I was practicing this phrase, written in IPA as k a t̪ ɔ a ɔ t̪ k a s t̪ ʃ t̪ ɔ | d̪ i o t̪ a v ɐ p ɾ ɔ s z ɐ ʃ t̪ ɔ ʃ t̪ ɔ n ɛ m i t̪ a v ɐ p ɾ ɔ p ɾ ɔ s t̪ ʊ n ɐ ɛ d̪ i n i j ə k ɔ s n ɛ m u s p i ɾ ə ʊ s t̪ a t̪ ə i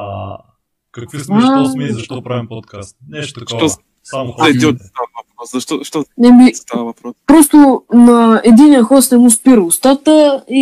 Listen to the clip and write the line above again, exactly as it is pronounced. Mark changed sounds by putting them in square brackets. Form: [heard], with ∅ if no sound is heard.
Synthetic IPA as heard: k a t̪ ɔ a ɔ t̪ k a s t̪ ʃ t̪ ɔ | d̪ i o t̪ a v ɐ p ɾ ɔ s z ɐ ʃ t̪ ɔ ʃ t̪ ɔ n ɛ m i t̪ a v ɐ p ɾ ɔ p ɾ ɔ s t̪ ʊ n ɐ ɛ d̪ i n i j ə [x] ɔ s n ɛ m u s p i ɾ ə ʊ s t̪ a t̪ ə i